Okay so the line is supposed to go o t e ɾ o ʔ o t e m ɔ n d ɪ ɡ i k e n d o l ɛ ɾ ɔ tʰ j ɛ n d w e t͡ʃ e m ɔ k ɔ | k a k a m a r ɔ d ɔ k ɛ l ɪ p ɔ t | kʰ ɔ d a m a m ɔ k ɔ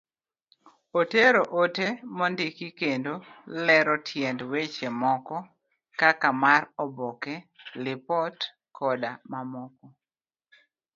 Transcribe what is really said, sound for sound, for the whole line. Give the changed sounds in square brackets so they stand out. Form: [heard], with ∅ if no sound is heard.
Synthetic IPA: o t e ɾ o ʔ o t e m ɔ n d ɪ [k] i k e n d o l ɛ ɾ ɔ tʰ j ɛ n d w e t͡ʃ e m ɔ k ɔ | k a k a m a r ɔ [b] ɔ k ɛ l ɪ p ɔ t | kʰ ɔ d a m a m ɔ k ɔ